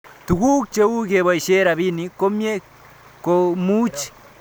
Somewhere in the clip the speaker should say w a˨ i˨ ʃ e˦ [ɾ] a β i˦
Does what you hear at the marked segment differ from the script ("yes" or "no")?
no